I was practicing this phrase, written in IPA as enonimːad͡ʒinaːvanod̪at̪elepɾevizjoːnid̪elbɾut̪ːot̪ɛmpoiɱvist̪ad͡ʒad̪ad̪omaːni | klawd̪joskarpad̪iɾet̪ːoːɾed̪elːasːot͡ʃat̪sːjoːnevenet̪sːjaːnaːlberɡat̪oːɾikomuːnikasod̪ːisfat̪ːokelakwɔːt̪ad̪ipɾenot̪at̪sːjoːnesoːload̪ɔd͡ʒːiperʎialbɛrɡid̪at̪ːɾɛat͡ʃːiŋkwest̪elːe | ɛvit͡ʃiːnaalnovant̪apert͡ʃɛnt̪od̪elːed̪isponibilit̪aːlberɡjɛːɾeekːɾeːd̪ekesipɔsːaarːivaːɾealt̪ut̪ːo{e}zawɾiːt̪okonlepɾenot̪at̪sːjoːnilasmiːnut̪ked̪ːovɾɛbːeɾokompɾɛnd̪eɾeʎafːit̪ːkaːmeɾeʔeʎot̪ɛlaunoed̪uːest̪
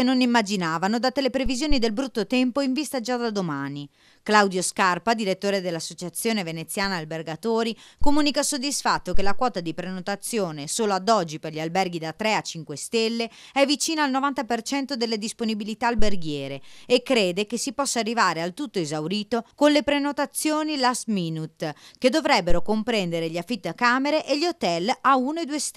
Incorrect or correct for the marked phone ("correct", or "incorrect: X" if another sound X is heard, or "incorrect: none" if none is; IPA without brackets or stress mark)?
correct